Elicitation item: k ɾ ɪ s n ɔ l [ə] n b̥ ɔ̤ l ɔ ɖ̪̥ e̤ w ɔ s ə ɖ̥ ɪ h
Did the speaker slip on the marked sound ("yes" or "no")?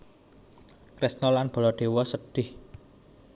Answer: yes